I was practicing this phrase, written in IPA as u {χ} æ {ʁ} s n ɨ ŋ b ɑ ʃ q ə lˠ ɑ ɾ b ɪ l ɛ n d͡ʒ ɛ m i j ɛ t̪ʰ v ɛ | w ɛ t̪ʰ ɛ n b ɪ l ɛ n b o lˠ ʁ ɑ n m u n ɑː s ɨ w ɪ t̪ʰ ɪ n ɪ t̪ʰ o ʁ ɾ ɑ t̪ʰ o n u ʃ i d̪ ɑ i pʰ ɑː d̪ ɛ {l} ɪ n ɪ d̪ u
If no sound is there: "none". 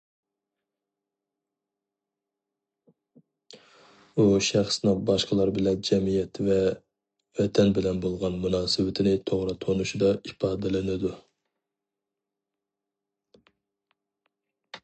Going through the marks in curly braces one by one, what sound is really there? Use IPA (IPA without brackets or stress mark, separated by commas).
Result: ʃ, χ, l